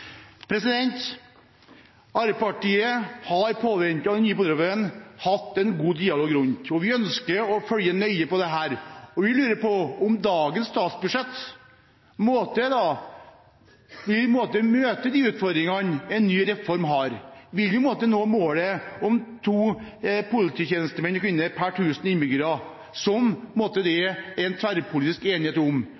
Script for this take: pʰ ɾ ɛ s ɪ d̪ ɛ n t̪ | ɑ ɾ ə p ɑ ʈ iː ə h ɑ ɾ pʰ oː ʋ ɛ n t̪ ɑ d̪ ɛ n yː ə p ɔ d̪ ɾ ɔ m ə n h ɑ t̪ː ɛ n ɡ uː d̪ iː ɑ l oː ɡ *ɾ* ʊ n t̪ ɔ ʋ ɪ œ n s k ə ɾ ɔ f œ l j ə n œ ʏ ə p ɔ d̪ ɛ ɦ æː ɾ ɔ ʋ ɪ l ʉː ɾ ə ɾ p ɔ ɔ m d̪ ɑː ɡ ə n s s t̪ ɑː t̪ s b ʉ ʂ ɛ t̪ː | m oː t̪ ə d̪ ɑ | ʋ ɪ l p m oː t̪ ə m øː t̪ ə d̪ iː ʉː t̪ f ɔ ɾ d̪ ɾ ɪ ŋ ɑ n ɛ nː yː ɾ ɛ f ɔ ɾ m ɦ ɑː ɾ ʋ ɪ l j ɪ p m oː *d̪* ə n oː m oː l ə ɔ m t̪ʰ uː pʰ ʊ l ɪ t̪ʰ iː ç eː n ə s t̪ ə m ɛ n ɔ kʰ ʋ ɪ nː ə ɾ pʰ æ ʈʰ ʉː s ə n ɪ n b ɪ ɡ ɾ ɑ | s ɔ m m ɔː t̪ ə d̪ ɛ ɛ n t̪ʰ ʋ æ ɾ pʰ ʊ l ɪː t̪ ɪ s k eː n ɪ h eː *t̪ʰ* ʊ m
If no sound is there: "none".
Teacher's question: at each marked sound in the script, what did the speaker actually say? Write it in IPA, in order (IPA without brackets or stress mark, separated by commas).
ɾ, t̪, t̪